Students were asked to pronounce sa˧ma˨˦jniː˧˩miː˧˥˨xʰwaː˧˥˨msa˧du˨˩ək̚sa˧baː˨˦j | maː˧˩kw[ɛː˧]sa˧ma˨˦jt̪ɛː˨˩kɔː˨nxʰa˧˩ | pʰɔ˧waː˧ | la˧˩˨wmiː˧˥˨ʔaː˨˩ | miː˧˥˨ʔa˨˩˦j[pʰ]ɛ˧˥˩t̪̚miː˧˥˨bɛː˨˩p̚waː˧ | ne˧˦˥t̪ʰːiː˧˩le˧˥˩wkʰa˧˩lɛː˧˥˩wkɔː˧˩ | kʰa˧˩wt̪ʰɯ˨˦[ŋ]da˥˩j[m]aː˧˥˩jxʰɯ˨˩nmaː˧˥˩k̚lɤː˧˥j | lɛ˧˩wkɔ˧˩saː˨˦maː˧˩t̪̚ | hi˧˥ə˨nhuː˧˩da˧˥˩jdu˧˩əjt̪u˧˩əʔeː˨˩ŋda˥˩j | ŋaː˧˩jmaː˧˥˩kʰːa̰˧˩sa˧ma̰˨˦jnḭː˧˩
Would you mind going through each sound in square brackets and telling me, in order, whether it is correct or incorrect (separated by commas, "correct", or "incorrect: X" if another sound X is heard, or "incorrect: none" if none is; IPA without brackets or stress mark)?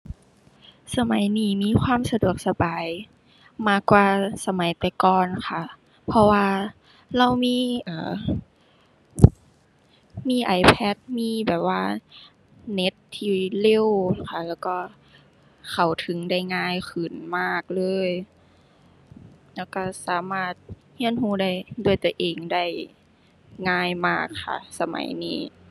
incorrect: aː˧, correct, correct, incorrect: ŋ